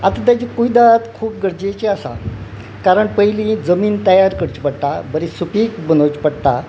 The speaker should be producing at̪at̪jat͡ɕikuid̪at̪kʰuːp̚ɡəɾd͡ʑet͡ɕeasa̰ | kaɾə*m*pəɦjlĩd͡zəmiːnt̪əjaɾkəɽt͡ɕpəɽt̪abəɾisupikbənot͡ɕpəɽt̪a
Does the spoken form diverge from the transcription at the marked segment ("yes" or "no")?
yes